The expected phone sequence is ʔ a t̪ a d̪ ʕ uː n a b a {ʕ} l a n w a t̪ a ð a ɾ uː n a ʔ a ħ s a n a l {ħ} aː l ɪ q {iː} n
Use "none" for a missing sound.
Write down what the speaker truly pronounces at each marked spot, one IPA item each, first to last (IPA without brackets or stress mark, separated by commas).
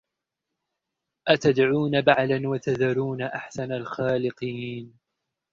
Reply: ʕ, x, iː